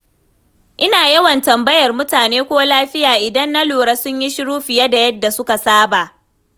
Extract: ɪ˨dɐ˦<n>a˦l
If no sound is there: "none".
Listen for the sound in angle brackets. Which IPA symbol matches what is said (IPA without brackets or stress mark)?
nː